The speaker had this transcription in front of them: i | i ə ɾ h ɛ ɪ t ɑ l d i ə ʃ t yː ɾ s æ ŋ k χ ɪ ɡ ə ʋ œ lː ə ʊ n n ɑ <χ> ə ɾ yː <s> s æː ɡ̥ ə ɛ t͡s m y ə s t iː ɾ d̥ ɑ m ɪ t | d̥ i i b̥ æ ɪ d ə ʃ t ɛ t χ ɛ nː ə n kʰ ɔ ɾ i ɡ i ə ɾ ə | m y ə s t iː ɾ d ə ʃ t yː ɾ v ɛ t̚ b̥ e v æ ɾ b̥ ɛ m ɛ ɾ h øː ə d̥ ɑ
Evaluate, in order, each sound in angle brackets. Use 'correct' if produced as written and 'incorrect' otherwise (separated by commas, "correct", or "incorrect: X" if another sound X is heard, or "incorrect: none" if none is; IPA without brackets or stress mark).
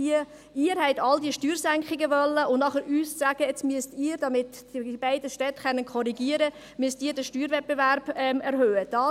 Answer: correct, correct